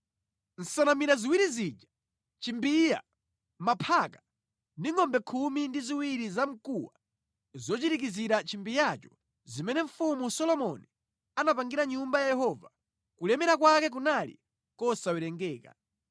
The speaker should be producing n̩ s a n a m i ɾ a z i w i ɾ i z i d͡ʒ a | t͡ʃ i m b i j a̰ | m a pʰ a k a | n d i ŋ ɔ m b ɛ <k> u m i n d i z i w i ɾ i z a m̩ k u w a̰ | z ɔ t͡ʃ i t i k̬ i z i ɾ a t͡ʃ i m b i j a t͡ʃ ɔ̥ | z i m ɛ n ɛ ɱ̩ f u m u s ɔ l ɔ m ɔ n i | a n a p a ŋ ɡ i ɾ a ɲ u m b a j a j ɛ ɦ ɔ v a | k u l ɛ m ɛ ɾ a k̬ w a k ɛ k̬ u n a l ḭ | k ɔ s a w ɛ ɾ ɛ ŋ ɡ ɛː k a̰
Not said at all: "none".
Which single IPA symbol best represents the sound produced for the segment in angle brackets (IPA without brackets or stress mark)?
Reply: kʰ